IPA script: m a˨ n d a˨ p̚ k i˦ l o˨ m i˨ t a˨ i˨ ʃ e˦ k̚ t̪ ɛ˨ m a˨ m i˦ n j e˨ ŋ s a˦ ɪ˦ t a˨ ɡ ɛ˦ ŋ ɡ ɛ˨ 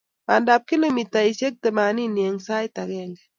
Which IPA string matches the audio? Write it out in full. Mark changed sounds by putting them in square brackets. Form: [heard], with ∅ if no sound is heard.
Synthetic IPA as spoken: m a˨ n d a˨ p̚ k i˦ l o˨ m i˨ t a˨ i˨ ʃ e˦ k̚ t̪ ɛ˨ m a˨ [n] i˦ n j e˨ ŋ s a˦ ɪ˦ t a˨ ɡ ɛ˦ ŋ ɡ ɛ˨